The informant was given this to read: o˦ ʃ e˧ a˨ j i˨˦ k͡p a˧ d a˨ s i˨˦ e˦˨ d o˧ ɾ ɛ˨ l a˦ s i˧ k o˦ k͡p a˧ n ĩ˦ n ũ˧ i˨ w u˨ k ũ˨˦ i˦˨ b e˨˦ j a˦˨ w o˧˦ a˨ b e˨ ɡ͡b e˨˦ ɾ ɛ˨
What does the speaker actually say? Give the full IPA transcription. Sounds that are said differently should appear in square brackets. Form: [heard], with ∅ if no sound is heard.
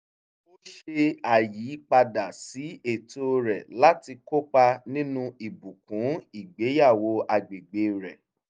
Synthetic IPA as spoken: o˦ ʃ e˧ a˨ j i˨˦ k͡p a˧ d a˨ s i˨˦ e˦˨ [t] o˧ ɾ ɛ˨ l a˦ [t] i˧ k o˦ k͡p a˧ n ĩ˦ n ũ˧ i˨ [b] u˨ k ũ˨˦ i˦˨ [ɡ͡b] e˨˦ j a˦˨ w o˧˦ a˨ [ɡ͡b] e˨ ɡ͡b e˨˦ ɾ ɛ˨